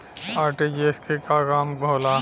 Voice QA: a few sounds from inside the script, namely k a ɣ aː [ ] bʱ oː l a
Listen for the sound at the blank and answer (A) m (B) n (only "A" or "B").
A